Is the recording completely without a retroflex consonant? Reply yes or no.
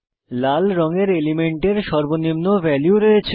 no